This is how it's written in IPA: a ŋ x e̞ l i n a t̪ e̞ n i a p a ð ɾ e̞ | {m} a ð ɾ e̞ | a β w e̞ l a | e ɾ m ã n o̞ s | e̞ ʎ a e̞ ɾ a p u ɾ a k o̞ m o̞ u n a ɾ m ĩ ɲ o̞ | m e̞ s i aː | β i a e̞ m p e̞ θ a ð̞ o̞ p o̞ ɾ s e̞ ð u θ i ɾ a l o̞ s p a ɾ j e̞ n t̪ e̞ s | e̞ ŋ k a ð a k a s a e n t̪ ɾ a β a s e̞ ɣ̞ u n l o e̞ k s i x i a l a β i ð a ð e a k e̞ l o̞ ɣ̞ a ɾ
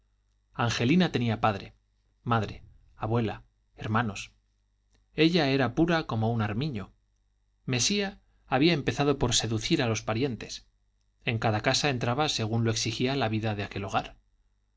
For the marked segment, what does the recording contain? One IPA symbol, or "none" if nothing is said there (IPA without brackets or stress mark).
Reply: m